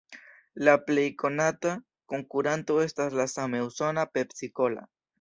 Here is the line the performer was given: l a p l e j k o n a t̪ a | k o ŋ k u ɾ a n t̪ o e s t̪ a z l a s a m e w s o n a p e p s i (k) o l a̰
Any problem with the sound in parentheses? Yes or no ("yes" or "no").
no